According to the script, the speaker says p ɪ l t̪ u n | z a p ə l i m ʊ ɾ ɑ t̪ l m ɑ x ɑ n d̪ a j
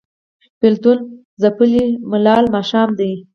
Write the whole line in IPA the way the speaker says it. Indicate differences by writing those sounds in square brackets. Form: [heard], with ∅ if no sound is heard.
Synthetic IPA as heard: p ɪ l t̪ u n | z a p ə l i m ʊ [l] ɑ [∅] l m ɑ [ʃ] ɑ [m] d̪ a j